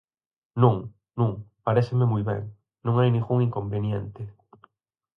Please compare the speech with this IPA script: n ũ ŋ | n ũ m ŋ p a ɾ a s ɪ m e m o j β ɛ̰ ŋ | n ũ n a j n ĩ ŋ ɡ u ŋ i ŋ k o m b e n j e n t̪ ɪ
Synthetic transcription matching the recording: n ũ ŋ | n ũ ŋ p a ɾ e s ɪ m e m u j β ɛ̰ ŋ | n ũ ŋ a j n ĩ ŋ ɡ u ŋ i ŋ k o m b e n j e n t̪ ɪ